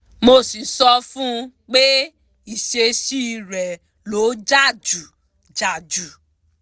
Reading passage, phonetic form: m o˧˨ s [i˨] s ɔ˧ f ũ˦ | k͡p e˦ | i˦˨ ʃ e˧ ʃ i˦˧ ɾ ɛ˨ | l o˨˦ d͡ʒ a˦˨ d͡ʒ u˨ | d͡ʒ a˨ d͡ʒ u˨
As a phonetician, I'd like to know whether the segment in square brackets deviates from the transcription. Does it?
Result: no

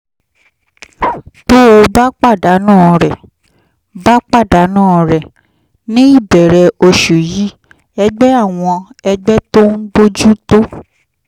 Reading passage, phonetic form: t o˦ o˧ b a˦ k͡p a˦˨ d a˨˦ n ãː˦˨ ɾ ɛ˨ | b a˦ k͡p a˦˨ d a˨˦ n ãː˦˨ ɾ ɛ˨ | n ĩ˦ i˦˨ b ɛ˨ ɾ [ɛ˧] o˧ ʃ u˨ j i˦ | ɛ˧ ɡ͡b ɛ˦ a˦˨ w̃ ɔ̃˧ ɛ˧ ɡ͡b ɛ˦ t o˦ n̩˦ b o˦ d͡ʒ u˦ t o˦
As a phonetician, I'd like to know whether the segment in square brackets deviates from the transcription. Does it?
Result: no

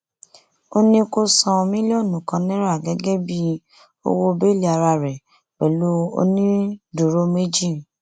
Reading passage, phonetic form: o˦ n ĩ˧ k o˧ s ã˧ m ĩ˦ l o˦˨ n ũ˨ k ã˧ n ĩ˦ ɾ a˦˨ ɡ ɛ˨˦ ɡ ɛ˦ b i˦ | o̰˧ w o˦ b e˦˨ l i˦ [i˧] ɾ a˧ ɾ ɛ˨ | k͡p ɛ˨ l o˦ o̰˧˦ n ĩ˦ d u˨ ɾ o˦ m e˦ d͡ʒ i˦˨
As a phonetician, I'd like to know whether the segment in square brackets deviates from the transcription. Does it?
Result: yes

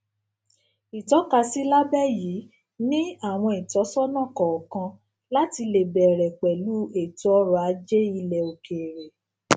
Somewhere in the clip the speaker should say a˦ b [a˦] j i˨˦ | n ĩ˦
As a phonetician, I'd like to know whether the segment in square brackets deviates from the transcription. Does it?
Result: yes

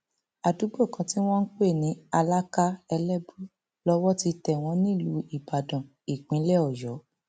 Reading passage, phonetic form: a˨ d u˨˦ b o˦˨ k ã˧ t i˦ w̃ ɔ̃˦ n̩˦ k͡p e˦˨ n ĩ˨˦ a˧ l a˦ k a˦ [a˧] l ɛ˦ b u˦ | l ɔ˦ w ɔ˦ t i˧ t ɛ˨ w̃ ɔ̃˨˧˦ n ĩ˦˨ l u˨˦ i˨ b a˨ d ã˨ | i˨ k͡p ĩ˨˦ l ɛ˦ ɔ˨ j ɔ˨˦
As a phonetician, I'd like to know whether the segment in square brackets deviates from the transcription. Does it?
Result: yes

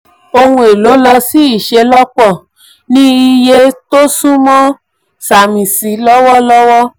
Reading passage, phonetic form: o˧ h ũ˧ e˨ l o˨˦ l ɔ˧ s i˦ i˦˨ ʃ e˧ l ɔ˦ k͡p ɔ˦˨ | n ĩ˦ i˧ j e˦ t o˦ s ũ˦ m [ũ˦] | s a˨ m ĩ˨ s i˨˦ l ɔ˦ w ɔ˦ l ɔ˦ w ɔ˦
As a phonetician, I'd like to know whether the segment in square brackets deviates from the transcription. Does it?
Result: yes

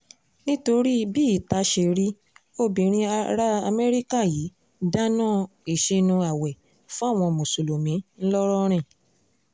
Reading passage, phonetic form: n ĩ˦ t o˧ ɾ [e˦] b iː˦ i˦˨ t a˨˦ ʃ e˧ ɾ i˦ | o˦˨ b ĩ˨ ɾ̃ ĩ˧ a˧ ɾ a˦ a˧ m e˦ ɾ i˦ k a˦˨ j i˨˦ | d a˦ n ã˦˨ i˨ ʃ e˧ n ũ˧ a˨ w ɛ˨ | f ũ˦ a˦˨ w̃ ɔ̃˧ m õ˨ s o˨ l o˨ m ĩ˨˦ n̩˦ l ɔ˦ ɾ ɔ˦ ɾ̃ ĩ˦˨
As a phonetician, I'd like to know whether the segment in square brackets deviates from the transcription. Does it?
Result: yes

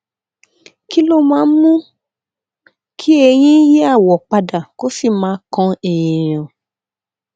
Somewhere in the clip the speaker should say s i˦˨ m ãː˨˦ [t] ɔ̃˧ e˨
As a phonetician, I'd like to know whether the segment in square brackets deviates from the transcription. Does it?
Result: yes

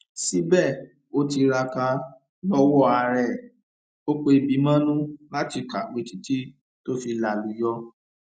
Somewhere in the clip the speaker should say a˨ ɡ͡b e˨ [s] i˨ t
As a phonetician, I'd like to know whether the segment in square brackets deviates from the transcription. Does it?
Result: yes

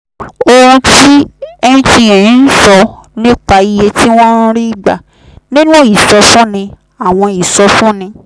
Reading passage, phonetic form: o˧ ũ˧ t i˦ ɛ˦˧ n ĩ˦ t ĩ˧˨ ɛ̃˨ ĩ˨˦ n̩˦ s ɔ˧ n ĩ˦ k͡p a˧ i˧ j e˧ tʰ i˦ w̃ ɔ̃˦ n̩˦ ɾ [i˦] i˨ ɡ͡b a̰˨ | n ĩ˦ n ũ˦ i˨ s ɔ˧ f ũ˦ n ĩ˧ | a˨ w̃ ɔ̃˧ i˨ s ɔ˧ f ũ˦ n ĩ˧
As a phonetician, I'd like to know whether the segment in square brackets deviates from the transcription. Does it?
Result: no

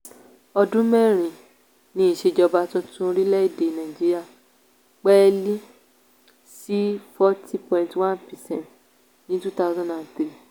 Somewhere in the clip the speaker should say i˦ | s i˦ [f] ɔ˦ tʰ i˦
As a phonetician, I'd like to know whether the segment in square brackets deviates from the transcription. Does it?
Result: no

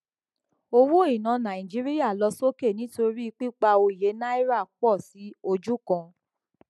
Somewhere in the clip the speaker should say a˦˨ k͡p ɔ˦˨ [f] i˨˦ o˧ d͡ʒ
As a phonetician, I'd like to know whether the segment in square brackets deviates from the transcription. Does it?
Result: yes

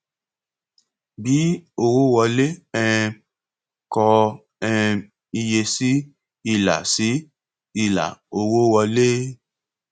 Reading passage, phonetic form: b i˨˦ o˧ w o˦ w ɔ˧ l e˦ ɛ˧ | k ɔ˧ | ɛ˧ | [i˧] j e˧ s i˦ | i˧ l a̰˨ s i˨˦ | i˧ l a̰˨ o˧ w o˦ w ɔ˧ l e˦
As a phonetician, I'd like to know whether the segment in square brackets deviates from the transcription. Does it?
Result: no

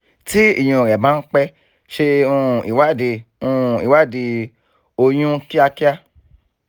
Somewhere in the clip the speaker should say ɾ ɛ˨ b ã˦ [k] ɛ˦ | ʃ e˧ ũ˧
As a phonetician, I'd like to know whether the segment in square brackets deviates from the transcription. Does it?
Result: yes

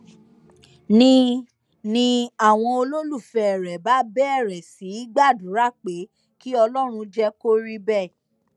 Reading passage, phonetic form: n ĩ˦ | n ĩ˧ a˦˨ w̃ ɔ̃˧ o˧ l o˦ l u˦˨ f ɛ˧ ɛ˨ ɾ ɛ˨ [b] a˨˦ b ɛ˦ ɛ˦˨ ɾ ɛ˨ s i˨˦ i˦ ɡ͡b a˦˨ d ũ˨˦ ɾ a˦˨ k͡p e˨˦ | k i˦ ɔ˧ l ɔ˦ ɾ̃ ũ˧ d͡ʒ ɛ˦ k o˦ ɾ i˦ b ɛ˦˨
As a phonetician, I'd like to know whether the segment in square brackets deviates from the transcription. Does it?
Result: no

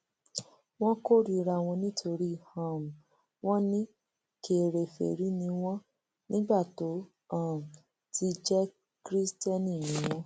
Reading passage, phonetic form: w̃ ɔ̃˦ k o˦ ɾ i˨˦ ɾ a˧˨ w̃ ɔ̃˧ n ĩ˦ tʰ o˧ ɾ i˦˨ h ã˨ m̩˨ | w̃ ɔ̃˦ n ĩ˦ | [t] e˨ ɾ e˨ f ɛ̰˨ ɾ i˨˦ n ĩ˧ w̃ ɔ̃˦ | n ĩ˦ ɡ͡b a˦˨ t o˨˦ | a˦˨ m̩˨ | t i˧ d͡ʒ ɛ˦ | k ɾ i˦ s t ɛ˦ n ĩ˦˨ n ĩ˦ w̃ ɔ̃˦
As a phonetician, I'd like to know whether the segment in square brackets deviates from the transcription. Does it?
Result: yes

